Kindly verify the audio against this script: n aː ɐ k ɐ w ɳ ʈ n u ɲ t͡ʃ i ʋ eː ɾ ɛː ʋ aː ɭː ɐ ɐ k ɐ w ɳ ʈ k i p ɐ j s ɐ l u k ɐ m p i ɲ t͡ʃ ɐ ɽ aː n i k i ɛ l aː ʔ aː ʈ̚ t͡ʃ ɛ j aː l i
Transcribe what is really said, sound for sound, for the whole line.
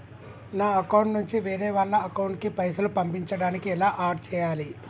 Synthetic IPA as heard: n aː ɐ k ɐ w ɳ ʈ n u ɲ t͡ʃ i ʋ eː ɾ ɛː ʋ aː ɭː ɐ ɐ k ɐ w ɳ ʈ k i p ɐ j s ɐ l u p ɐ m p i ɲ t͡ʃ ɐ ɽ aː n i k i ɛ l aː ʔ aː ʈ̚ t͡ʃ ɛː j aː l i